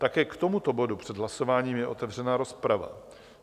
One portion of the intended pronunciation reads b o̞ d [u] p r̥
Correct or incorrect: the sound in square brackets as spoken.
correct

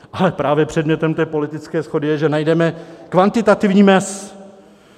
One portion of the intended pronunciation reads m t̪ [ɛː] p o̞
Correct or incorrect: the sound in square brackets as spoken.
correct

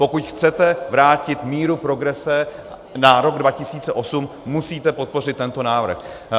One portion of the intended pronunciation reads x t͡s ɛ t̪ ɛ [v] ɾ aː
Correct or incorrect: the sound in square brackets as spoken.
correct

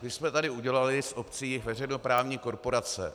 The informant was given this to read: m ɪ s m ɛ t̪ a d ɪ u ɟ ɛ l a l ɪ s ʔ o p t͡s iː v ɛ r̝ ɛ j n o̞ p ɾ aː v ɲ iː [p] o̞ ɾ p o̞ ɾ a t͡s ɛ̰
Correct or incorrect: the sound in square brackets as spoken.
incorrect: k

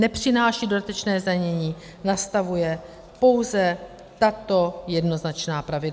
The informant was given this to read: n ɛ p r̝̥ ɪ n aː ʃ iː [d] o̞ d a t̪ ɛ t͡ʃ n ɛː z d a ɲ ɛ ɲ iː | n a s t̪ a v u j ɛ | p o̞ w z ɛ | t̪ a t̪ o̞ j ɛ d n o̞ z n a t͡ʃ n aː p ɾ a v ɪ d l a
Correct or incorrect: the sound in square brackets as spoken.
correct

